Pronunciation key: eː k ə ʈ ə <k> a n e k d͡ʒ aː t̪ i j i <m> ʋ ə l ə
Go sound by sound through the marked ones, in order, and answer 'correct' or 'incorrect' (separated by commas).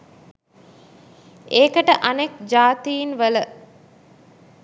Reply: incorrect, incorrect